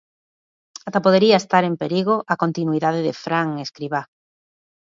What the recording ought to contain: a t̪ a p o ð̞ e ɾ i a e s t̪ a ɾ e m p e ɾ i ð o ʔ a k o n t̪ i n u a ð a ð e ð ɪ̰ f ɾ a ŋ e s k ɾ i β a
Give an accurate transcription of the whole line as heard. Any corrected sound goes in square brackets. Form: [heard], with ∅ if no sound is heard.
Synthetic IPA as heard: a t̪ a p o ð̞ e ɾ i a e s t̪ a ɾ e m p e ɾ i [ɣ] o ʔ a k o n t̪ i n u [i] ð a ð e ð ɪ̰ f ɾ a ŋ e s k ɾ i β a